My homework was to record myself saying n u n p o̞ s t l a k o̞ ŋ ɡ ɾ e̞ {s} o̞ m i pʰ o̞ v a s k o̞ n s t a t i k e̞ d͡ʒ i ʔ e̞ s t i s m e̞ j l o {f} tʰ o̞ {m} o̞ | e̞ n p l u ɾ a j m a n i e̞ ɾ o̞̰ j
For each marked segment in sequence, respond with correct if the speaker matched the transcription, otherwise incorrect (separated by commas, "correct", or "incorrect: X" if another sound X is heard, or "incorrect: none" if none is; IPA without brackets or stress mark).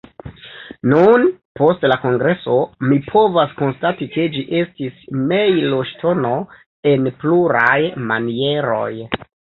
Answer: correct, incorrect: ʃ, incorrect: n